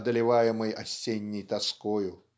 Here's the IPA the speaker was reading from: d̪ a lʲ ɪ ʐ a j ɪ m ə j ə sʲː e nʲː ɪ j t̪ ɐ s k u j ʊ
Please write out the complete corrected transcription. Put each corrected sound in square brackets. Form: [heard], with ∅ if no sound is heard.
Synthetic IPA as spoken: d̪ [ə] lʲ ɪ [v] a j ɪ m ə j [ɐ] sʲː e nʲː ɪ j t̪ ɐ s k [o] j ʊ